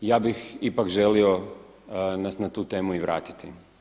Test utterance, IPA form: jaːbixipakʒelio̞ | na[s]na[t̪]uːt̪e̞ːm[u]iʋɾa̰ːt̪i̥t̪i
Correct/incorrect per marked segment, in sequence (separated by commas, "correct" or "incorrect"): correct, correct, correct